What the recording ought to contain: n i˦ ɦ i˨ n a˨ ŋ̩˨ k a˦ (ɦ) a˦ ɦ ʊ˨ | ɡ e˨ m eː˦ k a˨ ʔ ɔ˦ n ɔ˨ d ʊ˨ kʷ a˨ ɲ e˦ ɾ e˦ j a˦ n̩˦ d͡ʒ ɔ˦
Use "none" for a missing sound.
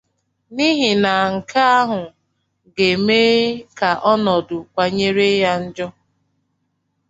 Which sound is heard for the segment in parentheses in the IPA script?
none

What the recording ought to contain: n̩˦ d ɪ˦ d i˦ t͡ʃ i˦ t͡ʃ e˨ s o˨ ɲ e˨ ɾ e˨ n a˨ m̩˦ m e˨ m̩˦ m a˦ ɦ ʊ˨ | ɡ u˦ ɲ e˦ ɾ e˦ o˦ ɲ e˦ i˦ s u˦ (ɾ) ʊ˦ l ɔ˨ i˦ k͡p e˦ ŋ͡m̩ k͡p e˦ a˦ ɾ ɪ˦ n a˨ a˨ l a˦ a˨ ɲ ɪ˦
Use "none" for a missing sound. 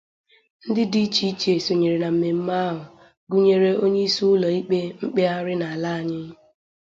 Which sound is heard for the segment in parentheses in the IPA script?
none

